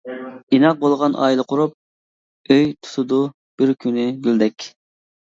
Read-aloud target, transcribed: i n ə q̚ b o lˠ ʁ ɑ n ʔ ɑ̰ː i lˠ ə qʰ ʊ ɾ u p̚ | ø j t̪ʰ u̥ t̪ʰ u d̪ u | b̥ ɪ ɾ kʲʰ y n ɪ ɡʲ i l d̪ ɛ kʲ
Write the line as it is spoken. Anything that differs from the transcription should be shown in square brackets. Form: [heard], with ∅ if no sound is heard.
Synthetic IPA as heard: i n [ɑ] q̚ b o lˠ ʁ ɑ n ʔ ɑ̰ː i lˠ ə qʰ ʊ ɾ u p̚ | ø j t̪ʰ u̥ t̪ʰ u d̪ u | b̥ ɪ ɾ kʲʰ y n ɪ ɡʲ [y] l d̪ ɛ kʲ